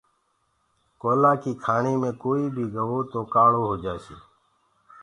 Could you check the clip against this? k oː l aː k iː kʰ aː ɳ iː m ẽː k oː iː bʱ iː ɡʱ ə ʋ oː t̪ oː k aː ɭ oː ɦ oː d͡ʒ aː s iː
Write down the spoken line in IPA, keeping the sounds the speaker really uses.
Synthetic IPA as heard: k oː l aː k iː kʰ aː ɳ iː m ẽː k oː iː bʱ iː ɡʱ ə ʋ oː t̪ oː k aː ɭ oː ɦ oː d͡ʒ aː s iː